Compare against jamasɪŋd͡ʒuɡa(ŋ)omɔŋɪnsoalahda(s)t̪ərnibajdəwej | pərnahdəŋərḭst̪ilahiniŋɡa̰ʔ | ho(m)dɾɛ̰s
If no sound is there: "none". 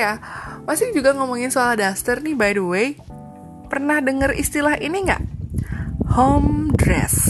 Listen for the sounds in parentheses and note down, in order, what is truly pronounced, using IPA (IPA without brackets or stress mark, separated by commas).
ŋ, s, m